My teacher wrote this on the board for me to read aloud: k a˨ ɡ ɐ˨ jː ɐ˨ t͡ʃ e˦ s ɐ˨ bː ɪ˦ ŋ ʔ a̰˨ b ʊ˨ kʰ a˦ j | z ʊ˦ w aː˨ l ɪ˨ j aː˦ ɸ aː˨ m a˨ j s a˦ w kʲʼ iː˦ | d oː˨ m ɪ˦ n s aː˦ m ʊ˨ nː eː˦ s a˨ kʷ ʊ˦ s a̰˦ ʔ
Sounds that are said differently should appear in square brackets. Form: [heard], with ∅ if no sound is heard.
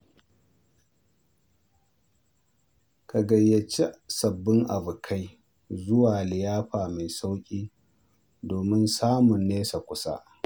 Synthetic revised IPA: k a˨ ɡ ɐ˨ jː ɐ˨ t͡ʃ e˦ s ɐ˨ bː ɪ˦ ŋ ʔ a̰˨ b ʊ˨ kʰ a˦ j | z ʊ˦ w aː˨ l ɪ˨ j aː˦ ɸ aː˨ m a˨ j s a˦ w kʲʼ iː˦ | d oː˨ m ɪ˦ n s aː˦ m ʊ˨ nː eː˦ s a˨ kʷ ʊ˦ s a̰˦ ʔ

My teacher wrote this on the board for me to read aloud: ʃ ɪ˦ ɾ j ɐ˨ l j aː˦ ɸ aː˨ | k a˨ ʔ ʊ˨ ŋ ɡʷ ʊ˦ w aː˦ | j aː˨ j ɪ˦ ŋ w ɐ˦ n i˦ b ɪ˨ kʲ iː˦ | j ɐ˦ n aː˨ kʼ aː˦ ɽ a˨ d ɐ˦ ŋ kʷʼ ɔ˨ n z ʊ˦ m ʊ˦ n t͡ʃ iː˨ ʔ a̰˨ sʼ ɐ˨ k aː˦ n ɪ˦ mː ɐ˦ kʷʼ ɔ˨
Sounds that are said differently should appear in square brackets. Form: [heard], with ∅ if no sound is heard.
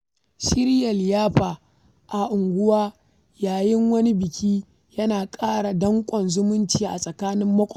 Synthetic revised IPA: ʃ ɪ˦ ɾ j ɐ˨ l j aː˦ ɸ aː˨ | [ʔ] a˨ ʔ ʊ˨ ŋ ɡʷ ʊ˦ w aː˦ | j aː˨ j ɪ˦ ŋ w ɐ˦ n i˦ b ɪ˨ kʲ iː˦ | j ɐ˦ n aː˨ kʼ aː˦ ɽ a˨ d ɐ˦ ŋ kʷʼ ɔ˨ n z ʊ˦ m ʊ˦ n t͡ʃ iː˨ ʔ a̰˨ sʼ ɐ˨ k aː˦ n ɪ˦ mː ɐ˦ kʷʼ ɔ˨

